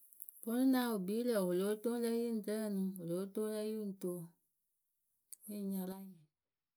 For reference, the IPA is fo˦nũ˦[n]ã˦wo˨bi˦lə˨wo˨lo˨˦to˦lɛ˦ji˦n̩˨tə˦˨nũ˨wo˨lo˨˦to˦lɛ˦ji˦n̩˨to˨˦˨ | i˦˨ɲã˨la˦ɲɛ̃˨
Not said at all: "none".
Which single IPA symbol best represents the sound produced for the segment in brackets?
n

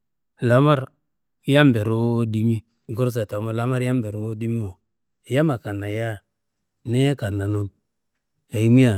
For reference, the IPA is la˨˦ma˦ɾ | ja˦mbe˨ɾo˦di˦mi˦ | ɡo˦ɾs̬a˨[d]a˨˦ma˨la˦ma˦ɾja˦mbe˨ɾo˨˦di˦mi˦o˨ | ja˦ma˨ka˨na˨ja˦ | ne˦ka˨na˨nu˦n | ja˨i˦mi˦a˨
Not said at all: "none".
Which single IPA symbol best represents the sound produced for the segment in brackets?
t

